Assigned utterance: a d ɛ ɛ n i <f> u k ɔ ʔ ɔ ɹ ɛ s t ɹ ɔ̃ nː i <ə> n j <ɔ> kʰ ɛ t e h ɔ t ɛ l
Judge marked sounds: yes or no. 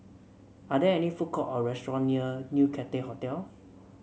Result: yes, yes, no

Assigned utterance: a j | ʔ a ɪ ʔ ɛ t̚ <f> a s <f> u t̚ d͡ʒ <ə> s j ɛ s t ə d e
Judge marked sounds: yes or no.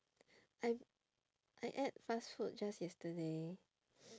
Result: yes, yes, no

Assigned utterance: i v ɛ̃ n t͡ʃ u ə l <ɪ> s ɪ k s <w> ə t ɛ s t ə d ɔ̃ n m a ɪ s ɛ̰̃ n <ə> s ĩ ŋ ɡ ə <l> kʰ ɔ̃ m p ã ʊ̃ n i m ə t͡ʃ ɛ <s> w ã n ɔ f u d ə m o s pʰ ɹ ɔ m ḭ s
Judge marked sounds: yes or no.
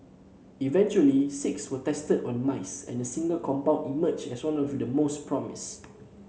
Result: no, yes, yes, yes, yes

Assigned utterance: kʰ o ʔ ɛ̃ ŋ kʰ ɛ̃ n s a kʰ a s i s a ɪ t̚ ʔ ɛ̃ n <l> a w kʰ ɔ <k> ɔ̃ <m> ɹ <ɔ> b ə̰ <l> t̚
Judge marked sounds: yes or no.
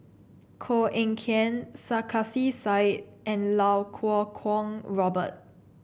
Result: yes, no, no, yes, no

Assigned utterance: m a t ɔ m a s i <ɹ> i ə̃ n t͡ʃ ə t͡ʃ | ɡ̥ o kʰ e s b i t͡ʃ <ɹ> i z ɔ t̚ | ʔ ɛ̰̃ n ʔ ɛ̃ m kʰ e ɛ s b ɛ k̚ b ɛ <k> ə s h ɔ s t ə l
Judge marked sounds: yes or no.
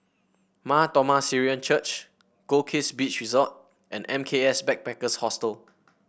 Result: yes, yes, yes

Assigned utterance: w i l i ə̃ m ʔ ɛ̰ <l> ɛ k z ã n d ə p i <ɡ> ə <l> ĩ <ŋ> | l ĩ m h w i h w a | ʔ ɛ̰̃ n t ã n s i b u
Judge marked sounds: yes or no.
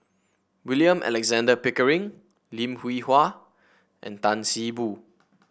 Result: yes, no, no, yes

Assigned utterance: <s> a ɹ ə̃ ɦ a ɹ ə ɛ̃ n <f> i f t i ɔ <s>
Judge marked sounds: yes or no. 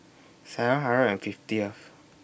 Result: yes, yes, no

